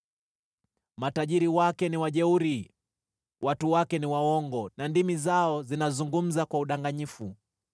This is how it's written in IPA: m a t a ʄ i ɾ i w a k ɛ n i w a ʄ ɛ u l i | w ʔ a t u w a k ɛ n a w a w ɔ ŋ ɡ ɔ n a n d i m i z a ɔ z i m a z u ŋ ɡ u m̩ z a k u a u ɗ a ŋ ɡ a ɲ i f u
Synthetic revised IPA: m a t a ʄ i ɾ i w a k ɛ n i w a ʄ ɛ u ɾ i | w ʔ a t u w a k ɛ n i w a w ɔ ŋ ɡ ɔ n a n d i m i z a ɔ z i n a z u ŋ ɡ u m̩ z a k w a u ɗ a ŋ ɡ a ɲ i f u